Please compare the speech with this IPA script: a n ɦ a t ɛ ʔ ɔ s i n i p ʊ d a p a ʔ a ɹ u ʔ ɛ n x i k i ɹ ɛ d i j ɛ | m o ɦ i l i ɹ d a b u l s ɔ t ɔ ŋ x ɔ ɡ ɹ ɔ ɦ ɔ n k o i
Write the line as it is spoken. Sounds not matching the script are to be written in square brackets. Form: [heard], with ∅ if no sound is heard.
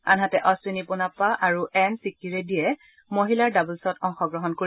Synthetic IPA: a n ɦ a t ɛ ʔ ɔ s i n i p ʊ [n] a p a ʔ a ɹ u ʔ ɛ n [s] i k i ɹ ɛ d i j ɛ | m o ɦ i l [a] ɹ d a b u l s ɔ t ɔ ŋ x ɔ ɡ ɹ ɔ ɦ ɔ n k o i